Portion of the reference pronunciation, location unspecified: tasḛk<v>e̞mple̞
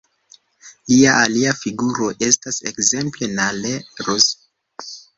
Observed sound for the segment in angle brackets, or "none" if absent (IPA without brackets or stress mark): z